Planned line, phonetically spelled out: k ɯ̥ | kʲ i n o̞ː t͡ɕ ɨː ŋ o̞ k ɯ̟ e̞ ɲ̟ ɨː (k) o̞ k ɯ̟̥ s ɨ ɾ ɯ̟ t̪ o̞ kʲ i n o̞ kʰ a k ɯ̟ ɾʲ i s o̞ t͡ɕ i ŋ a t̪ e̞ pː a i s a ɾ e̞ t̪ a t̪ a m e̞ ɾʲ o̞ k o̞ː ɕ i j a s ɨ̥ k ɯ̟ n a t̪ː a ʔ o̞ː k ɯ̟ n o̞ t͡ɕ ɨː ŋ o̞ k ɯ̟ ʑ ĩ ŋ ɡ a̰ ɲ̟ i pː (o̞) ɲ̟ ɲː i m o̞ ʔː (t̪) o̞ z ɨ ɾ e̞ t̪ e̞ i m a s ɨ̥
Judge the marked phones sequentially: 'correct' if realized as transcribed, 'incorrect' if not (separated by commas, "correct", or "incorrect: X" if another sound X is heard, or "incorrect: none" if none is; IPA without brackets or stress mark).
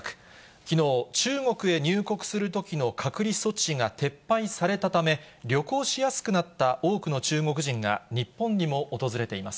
correct, incorrect: õ̞, correct